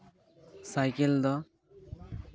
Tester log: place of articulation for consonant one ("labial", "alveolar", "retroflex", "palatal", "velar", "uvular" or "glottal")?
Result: alveolar